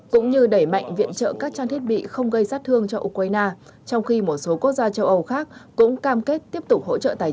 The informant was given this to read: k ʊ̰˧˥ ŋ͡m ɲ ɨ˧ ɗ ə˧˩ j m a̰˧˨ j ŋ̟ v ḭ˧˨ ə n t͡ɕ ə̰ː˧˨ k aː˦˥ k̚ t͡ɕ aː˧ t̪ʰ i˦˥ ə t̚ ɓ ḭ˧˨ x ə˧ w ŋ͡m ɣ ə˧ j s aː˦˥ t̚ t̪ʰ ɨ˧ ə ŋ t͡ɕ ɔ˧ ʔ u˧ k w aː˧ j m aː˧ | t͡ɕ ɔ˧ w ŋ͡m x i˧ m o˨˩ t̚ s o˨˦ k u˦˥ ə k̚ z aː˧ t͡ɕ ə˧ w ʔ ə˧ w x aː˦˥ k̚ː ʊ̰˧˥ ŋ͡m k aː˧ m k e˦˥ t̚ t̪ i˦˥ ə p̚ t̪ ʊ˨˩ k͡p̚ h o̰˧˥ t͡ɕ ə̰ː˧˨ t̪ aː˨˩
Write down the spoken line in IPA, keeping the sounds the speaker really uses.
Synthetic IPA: k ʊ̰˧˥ ŋ͡m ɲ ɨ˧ ɗ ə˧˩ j m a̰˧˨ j ŋ̟ v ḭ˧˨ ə n t͡ɕ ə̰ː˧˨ k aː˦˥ k̚ t͡ɕ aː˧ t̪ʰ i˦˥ ə t̚ ɓ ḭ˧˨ x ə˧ w ŋ͡m ɣ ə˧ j s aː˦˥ t̚ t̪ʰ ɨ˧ ə ŋ t͡ɕ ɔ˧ ʔ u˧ k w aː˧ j n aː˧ | t͡ɕ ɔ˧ w ŋ͡m x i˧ m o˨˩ t̚ s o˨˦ k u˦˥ ə k̚ z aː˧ t͡ɕ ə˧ w ʔ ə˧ w x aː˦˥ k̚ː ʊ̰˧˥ ŋ͡m k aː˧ m k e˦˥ t̚ t̪ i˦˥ ə p̚ t̪ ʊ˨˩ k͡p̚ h o̰˧˥ t͡ɕ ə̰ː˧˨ t̪ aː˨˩